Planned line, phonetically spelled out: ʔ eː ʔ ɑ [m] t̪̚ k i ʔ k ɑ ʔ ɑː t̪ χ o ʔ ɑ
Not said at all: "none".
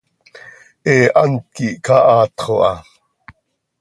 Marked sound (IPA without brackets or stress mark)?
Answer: n